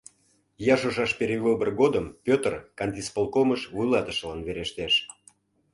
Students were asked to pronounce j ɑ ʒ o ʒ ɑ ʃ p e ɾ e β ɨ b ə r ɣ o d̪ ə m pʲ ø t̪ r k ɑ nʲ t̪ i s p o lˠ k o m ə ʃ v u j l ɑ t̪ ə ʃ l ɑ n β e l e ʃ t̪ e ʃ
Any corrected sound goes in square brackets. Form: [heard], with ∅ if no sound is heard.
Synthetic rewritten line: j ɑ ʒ o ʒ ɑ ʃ p e ɾ e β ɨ b ə r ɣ o d̪ ə m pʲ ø t̪ r k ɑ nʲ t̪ i s p o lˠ k o m ə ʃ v u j l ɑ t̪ ə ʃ l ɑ n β e [ɾ] e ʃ t̪ e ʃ